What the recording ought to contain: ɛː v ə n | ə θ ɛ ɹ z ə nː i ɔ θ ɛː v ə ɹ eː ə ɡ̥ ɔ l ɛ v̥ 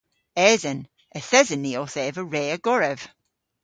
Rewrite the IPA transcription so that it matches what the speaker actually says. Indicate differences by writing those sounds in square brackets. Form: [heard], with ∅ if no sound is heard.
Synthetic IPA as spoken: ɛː [z] ə n | ə θ ɛ [∅] z ə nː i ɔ θ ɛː v ə ɹ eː ə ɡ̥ ɔ [ɹ] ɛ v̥